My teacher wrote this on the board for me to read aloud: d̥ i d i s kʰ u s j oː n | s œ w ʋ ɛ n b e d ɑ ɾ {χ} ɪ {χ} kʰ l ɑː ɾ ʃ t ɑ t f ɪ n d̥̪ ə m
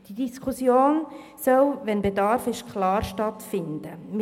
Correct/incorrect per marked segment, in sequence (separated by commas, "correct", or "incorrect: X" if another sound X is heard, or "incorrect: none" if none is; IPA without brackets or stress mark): incorrect: f, incorrect: ʃ